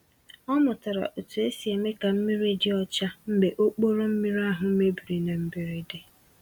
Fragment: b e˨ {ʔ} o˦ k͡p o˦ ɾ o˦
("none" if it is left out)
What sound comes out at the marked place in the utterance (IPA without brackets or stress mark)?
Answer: ʔ